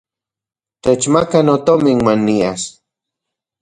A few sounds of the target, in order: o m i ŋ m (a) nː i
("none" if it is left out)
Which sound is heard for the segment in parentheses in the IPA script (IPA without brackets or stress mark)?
a